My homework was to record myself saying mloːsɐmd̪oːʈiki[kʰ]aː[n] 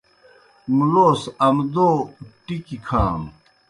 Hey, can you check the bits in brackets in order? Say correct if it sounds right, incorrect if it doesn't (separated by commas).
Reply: correct, incorrect